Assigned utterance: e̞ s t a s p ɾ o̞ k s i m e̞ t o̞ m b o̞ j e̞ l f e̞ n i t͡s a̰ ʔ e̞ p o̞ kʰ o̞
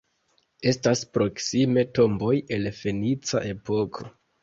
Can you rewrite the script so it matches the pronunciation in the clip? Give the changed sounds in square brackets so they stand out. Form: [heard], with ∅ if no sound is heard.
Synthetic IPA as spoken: e̞ s t a s p ɾ o̞ k s i m e̞ t o̞ m b o̞ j e̞ l f e̞ n i t͡s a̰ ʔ e̞ p o̞ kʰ o̞